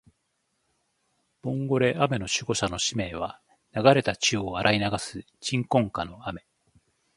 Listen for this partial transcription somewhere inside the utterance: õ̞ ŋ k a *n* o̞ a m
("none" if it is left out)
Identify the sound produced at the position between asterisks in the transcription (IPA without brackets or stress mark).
n